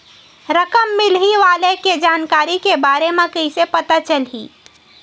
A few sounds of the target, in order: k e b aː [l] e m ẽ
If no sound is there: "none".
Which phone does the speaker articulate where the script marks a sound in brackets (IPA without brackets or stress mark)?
ɾ